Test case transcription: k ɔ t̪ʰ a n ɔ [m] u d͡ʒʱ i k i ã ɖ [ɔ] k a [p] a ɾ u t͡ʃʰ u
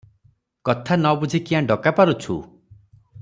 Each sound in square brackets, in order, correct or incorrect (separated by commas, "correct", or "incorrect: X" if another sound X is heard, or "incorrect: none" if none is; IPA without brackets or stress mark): incorrect: b, correct, correct